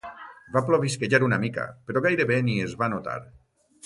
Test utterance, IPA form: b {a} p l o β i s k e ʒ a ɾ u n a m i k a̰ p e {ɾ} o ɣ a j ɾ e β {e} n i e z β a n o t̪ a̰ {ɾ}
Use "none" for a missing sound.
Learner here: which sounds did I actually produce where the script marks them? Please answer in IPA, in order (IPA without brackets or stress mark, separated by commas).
a, ɾ, e, ɾ